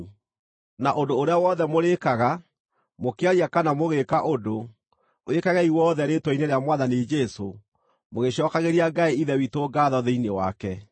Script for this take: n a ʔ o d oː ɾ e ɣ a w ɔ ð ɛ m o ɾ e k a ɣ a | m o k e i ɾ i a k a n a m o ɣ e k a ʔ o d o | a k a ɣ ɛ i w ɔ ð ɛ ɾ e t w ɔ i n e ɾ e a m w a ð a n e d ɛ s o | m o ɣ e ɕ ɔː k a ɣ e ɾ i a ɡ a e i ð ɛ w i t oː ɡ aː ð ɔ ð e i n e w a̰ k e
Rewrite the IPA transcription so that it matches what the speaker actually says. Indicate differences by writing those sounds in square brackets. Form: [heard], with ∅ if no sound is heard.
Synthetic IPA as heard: n a ʔ o d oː ɾ e [∅] a w ɔ ð ɛ m o ɾ e k a ɣ a | m o k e [a] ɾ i a k a n a m o ɣ e k a ʔ o d o | [e] k a ɣ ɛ i w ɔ ð ɛ ɾ e t w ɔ i n e ɾ e a m w a ð a n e [d͡ʒ] ɛ s o | m o ɣ e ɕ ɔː k a ɣ e ɾ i a ɡ a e i ð ɛ w i t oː ɡ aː ð ɔ ð e i n e w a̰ k [ɛ]

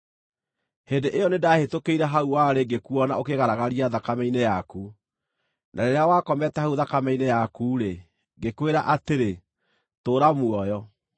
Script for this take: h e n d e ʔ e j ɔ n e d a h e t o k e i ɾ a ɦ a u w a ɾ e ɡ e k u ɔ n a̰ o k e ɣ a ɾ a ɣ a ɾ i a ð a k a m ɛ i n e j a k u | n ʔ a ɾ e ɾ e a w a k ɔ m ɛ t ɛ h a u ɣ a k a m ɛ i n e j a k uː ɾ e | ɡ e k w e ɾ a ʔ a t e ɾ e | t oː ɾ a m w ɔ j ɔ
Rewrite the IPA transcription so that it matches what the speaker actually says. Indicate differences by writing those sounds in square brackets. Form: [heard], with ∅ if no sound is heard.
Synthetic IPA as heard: h e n d e ʔ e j ɔ n e d a h e t o k e i ɾ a ɦ a u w a ɾ e ɡ e k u ɔ n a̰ o k e ɣ a ɾ a ɣ a ɾ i a ð a k a m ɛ i n e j a k u | n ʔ a ɾ e ɾ e a w a k ɔ m ɛ t ɛ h a u [ð] a k a m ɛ i n e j a k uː ɾ e | ɡ e k w e ɾ a ʔ a t e ɾ e | t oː ɾ a m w ɔ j ɔ

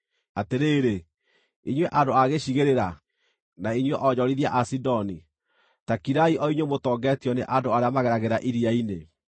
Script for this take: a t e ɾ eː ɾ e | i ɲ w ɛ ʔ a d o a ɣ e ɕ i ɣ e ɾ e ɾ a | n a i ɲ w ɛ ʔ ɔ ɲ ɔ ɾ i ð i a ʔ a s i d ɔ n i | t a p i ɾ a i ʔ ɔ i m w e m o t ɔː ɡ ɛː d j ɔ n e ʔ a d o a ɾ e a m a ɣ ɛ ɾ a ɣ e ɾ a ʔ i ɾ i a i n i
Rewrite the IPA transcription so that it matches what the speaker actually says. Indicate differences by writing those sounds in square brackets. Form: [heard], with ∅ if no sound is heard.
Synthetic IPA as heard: a t e ɾ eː ɾ e | i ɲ w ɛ ʔ a d o a ɣ e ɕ i ɣ e ɾ e ɾ a | n a i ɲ w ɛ ʔ ɔ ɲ ɔ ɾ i ð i a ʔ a s i d ɔ n i | t a [k] i ɾ a i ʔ ɔ i [ɲ] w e m o t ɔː ɡ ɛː [t] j ɔ n e ʔ a d o a ɾ e a m a ɣ ɛ ɾ a ɣ e ɾ a ʔ i ɾ i a i n [e]

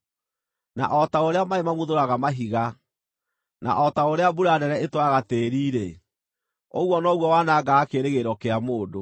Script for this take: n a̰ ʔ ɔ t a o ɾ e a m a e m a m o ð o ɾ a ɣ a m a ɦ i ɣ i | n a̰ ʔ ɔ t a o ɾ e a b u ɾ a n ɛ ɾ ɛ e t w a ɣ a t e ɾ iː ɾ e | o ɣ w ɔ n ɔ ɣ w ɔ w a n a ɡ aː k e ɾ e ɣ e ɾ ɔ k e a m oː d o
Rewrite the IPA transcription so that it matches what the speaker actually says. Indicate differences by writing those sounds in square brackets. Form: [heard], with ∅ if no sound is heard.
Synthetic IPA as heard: n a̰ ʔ ɔ t a o ɾ e a m a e m a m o ð o ɾ a ɣ a m a ɦ i ɣ [a] | n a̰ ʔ ɔ t a o ɾ e a b u ɾ a n ɛ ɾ ɛ e t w a ɣ a t e ɾ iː ɾ e | o ɣ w ɔ n ɔ ɣ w ɔ w a n a ɡ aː k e ɾ e ɣ e ɾ ɔ k e a m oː d o

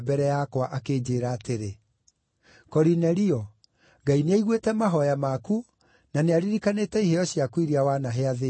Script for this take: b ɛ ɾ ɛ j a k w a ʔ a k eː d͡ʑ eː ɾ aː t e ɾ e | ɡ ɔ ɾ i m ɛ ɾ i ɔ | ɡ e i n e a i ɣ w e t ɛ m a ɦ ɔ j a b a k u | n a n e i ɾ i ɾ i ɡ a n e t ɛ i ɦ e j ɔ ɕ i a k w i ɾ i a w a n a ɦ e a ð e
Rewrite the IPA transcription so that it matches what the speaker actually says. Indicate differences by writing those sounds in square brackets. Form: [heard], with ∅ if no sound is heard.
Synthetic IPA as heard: b ɛ ɾ ɛ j a k w a ʔ a k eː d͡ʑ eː ɾ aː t e ɾ e | [k] ɔ ɾ i [n] ɛ ɾ i ɔ | ɡ [a] i n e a i ɣ w e t ɛ m a ɦ ɔ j a [m] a k u | n a n e [a] ɾ i ɾ i [k] a n e t ɛ i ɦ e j ɔ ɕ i a k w i ɾ i a w a n a ɦ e a ð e

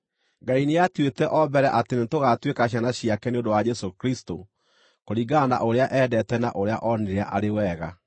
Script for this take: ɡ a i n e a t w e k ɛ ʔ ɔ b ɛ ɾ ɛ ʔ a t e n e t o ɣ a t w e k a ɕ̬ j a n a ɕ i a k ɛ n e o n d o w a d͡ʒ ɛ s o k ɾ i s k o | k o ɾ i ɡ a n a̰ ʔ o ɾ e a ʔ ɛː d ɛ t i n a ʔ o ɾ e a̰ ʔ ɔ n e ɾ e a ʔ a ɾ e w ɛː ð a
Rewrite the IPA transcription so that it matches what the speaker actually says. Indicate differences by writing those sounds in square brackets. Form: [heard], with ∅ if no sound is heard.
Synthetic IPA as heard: ɡ a i n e a t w e [t] ɛ ʔ ɔ b ɛ ɾ ɛ ʔ a t e n e t o ɣ a t w e k a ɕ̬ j a n a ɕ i a k ɛ n e o n d o w a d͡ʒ ɛ s o k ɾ i s [t] o | k o ɾ i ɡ a n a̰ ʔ o ɾ e a ʔ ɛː d ɛ t [ɛ] n a ʔ o ɾ e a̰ ʔ ɔ n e ɾ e a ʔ a ɾ e w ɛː [ɣ] a

